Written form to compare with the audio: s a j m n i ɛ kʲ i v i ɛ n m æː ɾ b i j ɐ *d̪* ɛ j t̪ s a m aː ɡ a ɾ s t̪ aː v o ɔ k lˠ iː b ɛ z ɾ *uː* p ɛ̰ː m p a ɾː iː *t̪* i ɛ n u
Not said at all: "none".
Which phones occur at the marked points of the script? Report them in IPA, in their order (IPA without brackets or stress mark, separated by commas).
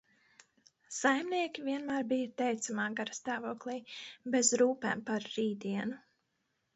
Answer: t̪, uː, d̪